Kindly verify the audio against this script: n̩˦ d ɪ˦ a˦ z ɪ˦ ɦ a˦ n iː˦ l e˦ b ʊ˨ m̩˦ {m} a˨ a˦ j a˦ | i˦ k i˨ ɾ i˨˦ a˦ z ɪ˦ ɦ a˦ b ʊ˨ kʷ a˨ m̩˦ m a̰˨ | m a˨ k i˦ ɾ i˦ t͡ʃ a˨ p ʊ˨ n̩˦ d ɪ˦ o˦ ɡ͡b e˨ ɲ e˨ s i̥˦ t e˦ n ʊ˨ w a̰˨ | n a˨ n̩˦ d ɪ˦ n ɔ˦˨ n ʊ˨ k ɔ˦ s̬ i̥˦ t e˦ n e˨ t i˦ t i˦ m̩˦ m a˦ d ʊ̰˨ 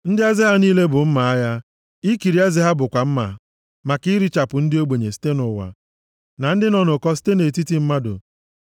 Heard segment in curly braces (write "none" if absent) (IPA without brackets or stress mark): m